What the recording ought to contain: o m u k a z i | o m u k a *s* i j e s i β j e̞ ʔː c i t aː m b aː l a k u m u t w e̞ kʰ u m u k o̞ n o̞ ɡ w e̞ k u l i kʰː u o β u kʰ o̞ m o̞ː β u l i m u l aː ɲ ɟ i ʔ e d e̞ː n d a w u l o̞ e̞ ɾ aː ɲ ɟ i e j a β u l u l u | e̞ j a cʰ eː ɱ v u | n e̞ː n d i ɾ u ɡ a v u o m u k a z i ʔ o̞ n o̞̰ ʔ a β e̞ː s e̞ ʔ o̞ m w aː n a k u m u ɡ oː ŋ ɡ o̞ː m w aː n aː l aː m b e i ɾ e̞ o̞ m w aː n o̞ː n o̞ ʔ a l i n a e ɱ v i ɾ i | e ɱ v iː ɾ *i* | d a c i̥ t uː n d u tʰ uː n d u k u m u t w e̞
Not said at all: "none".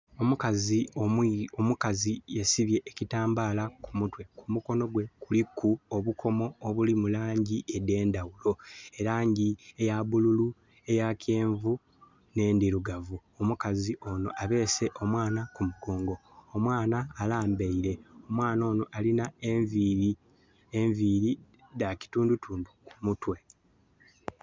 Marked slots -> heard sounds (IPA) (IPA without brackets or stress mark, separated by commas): z, i